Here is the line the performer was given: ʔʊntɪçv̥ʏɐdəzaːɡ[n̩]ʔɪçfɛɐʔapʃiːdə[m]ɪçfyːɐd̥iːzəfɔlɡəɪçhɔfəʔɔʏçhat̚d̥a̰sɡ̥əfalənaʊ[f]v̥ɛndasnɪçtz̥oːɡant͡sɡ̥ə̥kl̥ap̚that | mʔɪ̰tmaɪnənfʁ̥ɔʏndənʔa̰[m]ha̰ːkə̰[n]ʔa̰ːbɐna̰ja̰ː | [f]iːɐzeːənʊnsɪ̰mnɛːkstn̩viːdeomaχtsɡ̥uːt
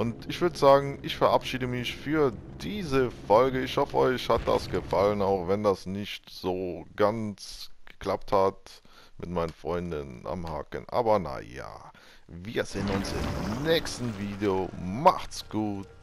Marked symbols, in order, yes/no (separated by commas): no, yes, no, yes, yes, no